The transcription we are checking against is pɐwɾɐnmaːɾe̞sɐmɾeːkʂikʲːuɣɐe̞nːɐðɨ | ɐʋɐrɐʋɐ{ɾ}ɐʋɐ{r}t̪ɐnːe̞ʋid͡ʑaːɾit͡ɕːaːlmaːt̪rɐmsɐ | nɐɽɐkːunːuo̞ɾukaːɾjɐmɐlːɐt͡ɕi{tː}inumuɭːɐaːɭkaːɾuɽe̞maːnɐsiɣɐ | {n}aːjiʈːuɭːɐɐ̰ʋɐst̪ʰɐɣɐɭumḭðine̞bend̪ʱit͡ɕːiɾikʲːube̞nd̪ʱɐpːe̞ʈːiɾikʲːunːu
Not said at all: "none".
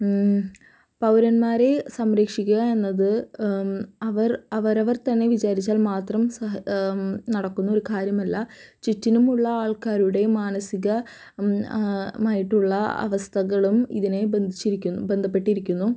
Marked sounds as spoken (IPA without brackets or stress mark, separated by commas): ɾ, r, tː, m